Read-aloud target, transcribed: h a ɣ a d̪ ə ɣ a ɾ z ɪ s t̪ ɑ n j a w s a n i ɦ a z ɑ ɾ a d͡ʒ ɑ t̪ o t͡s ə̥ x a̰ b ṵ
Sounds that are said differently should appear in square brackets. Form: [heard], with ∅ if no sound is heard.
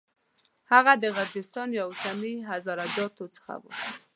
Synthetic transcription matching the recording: h a ɣ a d̪ ə ɣ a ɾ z ɪ s t̪ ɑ n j a w s a n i ɦ a z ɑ ɾ a d͡ʒ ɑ t̪ o t͡s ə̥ x a̰ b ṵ